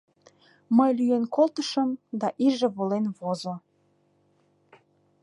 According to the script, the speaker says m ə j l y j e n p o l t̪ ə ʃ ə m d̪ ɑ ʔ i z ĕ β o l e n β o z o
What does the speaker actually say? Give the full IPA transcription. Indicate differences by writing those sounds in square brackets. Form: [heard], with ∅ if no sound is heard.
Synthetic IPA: m ə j l y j e n [k] o l t̪ ə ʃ ə m d̪ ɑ ʔ i [ʒ] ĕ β o l e n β o z o